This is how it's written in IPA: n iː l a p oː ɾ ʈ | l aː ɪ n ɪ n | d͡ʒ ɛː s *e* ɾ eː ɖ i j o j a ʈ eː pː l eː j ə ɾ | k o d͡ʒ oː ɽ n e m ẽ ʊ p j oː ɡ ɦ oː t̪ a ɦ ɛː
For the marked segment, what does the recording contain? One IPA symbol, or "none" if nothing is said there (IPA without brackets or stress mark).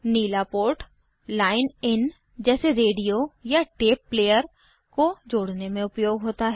e